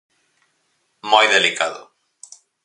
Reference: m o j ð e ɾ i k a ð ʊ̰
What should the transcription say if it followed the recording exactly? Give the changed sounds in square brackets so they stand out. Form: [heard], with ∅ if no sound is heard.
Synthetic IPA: m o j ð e [l] i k a ð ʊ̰